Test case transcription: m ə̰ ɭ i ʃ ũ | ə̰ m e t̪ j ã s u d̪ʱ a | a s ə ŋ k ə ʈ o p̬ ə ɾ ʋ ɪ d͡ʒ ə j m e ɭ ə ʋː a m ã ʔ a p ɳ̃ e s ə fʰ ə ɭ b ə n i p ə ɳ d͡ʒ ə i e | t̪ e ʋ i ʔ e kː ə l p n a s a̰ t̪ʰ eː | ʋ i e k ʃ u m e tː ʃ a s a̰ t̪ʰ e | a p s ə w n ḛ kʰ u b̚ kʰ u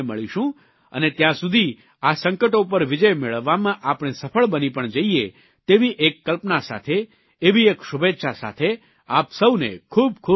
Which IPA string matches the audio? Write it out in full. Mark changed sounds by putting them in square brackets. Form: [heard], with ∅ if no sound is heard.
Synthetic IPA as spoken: m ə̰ ɭ i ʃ ũ | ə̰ [n] e t̪ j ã s u d̪ʱ [i] | a s ə ŋ k ə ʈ o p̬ ə ɾ ʋ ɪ d͡ʒ ə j m e ɭ ə ʋː a m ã ʔ a p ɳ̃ e s ə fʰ ə ɭ b ə n i p ə ɳ d͡ʒ ə i e | t̪ e ʋ i ʔ e kː ə l p n a s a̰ t̪ʰ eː | ʋ i e k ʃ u [b] e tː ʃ a s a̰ t̪ʰ e | a p s ə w n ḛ kʰ u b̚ kʰ u